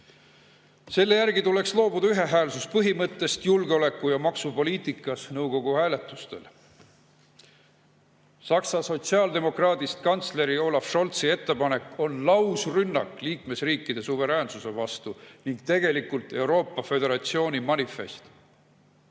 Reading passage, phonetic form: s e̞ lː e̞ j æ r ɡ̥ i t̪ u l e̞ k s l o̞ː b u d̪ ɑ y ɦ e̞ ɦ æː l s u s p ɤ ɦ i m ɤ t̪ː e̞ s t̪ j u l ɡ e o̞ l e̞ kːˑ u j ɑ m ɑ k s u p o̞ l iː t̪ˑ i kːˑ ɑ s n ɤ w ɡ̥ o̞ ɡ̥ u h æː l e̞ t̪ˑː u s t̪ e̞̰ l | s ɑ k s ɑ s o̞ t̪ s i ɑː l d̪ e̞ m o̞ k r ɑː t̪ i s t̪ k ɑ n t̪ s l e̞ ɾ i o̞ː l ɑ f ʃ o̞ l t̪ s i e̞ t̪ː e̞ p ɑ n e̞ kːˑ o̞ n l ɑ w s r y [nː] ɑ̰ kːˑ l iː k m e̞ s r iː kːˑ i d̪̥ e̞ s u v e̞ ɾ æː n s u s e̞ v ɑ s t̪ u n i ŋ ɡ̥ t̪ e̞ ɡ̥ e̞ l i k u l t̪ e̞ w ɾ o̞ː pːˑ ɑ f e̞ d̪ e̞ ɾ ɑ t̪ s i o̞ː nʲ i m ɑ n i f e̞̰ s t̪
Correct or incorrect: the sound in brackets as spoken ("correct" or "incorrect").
correct